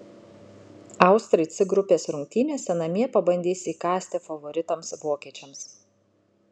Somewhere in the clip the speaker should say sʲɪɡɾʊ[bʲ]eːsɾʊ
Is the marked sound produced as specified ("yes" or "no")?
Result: no